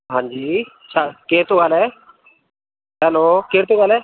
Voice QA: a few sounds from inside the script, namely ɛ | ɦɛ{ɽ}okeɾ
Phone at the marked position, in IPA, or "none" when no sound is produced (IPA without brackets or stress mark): l